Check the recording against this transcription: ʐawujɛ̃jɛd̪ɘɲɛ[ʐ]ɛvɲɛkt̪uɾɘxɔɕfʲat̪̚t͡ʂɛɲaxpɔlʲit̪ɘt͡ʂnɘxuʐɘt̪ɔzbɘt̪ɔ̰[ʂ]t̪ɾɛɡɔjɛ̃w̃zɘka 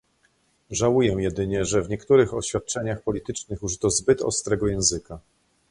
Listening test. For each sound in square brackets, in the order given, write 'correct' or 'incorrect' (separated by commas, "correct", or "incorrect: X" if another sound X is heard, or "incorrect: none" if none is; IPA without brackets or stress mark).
correct, incorrect: s